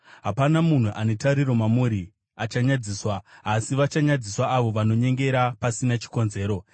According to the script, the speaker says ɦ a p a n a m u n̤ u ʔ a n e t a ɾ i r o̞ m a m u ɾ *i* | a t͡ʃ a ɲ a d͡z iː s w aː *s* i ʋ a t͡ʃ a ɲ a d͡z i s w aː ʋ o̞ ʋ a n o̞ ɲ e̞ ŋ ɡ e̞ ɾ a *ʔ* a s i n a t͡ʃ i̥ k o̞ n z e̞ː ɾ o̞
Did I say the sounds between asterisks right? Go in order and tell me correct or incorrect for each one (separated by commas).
correct, correct, incorrect